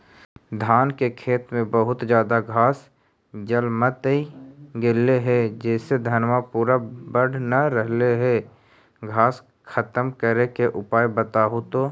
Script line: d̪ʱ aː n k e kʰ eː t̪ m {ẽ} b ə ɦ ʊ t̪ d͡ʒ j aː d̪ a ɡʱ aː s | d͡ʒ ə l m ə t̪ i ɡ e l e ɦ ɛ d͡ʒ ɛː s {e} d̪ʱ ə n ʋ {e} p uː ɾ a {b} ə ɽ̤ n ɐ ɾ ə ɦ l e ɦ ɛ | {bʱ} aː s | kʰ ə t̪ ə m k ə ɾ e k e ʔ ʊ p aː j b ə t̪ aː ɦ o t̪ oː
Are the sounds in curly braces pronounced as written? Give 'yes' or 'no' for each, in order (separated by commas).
yes, yes, no, yes, no